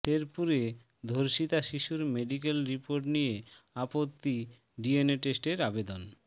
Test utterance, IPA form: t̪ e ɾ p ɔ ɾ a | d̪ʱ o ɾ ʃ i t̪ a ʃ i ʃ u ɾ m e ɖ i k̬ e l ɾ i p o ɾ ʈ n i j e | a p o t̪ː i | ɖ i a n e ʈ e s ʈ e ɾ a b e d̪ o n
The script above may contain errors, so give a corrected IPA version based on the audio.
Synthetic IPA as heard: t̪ e ɾ p u ɾ e | d̪ʱ o ɾ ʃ i t̪ a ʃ i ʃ u ɾ m e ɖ i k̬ e l ɾ i p o ɾ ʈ n i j e | a p o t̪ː i | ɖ i e n e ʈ e s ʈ e ɾ a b e d̪ o n